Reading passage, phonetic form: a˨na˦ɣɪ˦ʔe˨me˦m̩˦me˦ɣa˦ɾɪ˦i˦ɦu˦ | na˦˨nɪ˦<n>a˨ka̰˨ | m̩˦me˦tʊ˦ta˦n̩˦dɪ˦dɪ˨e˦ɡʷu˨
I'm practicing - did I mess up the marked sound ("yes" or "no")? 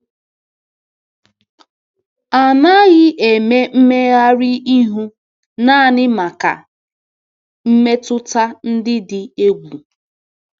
yes